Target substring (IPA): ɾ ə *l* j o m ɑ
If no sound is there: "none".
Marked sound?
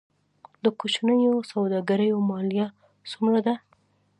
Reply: none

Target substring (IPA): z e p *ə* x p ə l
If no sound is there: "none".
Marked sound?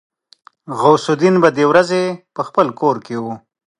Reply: ə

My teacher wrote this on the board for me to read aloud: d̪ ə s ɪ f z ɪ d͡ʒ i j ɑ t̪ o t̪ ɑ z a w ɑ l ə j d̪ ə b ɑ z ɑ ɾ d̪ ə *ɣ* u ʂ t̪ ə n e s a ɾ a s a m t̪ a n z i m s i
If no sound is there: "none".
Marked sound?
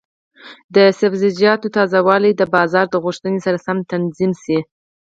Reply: ɣ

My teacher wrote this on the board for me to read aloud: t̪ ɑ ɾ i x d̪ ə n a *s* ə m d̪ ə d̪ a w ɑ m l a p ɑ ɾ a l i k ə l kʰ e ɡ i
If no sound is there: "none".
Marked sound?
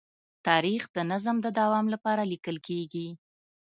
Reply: z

